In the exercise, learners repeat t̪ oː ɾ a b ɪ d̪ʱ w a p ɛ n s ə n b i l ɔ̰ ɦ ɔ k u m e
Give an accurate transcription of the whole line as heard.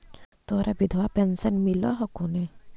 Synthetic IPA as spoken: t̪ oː ɾ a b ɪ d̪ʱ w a p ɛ n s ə n m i l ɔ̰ ɦ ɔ k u n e